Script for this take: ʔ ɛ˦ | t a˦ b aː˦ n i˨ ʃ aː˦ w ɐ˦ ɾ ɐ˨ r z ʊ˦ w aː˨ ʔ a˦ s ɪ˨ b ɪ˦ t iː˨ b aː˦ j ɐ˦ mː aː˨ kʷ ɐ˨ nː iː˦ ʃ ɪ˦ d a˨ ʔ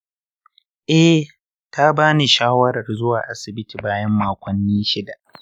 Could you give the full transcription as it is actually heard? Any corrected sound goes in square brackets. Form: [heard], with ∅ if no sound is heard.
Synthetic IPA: ʔ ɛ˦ | t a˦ b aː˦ n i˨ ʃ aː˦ w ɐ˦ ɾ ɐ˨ r z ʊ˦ w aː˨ ʔ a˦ s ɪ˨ b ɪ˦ t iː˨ b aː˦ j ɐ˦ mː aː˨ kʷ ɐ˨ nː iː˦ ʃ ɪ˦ d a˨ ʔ